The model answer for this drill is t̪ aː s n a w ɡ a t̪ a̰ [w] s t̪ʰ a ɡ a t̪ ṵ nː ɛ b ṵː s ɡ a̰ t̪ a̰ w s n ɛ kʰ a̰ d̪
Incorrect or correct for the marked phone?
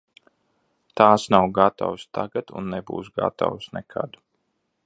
correct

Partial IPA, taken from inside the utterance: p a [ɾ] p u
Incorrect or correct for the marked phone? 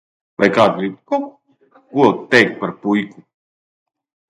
correct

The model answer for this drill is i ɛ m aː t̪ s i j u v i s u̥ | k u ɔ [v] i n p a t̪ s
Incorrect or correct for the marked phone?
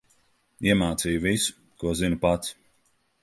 incorrect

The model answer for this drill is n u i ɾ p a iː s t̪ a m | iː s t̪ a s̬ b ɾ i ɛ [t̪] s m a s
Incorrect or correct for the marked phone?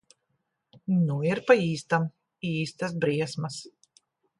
incorrect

